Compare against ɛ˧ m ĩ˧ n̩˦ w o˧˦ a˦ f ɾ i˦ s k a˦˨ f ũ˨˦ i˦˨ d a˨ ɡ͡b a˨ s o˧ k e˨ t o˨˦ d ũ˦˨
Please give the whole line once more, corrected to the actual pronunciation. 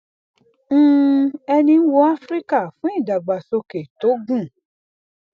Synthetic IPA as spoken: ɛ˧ n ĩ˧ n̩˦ w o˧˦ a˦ f ɾ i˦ k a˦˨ f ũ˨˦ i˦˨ d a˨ ɡ͡b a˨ s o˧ k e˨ t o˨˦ ɡ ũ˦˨

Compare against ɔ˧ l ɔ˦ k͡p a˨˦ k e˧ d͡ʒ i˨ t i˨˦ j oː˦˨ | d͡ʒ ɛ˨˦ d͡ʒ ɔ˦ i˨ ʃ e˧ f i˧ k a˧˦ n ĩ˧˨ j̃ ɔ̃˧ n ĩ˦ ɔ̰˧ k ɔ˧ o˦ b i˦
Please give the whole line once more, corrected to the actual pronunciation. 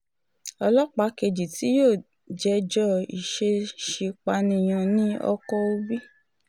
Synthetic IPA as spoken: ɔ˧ l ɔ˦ k͡p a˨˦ k e˧ d͡ʒ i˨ t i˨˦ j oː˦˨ | d͡ʒ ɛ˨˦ d͡ʒ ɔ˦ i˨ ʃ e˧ ʃ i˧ k͡p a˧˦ n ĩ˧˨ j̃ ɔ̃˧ n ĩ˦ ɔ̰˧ k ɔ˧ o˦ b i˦

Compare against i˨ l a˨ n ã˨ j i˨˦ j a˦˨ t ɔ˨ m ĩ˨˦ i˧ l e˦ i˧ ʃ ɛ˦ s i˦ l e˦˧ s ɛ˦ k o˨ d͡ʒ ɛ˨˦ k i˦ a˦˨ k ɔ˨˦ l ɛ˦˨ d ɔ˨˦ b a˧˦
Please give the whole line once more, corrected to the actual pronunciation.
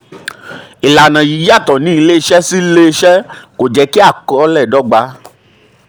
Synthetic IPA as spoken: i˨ l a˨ n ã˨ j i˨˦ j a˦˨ t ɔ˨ n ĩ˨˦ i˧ l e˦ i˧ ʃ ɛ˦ s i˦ l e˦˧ ʃ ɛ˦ k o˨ d͡ʒ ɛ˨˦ k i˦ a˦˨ k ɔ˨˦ l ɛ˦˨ d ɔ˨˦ ɡ͡b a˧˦

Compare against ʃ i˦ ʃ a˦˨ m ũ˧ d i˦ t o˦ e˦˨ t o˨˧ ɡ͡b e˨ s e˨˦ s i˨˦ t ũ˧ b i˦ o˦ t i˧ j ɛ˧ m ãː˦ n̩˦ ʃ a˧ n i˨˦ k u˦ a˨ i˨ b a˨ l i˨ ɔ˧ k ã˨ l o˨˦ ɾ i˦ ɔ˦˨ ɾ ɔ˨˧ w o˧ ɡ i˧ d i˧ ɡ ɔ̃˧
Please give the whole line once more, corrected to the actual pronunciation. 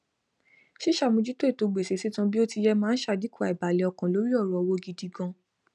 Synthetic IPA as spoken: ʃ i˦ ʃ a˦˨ m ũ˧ d͡ʒ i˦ t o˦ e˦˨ t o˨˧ ɡ͡b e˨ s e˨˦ s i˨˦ t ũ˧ b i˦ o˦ t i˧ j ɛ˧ m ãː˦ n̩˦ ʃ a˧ d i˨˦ k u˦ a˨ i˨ b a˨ l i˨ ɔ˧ k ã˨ l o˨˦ ɾ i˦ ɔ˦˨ ɾ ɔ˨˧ w o˧ ɡ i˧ d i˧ ɡ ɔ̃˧

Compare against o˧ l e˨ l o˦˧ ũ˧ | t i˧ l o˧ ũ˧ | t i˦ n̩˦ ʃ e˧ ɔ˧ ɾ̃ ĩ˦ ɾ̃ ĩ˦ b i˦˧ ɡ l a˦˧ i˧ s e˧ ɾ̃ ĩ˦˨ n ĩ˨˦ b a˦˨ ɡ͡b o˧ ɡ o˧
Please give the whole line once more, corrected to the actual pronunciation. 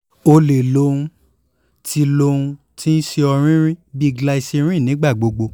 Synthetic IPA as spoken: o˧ l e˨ l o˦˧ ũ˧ | t i˧ l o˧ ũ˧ | t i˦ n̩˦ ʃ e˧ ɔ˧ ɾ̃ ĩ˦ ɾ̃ ĩ˦ b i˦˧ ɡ l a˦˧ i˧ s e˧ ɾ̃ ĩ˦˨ n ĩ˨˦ ɡ͡b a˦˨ ɡ͡b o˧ ɡ͡b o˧

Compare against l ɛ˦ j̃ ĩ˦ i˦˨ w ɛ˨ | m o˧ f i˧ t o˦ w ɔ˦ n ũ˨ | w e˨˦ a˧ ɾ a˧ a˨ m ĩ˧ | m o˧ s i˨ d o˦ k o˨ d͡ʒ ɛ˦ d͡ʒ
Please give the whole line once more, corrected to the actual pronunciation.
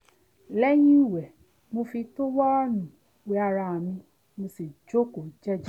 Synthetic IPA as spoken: l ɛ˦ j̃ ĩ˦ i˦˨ w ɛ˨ | m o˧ f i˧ t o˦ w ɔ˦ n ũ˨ | w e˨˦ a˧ ɾ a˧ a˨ m ĩ˧ | m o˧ s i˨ d͡ʒ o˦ k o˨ d͡ʒ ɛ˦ d͡ʒ

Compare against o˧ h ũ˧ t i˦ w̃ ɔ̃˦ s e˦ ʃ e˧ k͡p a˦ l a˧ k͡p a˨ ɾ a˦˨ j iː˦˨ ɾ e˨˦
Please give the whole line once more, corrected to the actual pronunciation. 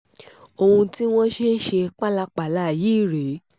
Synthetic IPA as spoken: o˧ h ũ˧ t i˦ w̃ ɔ̃˦ ʃ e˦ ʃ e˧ k͡p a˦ l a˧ k͡p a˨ l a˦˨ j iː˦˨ ɾ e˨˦

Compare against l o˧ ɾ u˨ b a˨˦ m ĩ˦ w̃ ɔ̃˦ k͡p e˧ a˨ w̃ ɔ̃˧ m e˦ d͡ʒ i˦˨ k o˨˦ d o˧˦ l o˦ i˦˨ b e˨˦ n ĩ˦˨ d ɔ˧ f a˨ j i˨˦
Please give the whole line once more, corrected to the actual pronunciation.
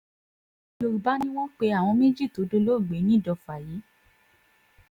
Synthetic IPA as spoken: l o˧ ɾ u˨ b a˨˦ n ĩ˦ w̃ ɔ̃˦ k͡p e˧ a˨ w̃ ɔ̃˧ m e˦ d͡ʒ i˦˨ t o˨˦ d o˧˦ l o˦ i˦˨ ɡ͡b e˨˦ n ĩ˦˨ d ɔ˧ f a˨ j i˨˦

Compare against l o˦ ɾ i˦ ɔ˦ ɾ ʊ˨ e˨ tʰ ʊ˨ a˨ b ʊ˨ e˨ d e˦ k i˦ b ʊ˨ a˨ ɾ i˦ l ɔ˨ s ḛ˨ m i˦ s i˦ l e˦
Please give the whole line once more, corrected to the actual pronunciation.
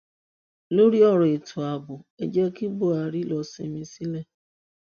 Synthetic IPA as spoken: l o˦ ɾ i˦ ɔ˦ ɾ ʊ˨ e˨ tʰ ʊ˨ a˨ b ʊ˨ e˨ d͡ʒ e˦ k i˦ b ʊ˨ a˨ ɾ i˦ l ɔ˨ s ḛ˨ m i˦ s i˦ l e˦

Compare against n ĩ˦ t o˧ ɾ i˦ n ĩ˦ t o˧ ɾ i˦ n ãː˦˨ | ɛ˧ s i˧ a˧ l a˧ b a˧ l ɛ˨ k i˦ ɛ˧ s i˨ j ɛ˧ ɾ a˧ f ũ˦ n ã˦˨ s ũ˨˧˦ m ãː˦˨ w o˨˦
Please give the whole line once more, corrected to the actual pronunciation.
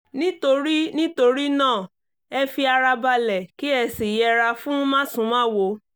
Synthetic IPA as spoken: n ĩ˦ t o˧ ɾ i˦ n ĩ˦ t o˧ ɾ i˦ n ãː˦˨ | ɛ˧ f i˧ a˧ ɾ a˧ b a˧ l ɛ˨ k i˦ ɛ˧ s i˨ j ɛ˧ ɾ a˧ f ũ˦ m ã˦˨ s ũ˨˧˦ m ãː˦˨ w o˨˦

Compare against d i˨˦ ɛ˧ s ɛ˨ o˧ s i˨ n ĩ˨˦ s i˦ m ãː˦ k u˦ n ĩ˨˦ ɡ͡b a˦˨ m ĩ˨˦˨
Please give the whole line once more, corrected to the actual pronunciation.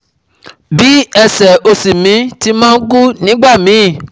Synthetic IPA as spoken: b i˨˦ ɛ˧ s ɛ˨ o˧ s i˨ m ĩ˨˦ t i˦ m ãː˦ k u˦ n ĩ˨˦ ɡ͡b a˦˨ m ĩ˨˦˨

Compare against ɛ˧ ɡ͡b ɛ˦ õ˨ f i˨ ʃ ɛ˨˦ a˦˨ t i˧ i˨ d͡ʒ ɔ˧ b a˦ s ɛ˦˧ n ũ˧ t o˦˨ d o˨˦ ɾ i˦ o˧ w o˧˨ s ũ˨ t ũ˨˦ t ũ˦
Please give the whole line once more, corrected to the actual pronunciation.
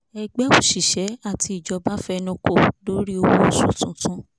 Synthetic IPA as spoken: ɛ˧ ɡ͡b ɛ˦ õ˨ ʃ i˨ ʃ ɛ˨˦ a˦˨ t i˧ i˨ d͡ʒ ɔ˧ b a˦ f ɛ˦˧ n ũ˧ k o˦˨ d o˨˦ ɾ i˦ o˧ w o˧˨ s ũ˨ t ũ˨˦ t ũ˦

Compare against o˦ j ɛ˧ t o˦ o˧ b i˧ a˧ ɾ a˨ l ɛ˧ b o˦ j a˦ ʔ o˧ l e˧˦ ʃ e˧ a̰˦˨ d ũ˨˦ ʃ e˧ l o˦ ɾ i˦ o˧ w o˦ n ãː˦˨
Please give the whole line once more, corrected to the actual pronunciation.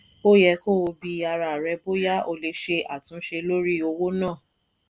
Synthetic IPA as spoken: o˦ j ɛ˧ k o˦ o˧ b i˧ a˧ ɾ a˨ ɾ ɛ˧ b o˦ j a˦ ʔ o˧ l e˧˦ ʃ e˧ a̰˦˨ t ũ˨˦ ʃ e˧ l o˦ ɾ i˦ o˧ w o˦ n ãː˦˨

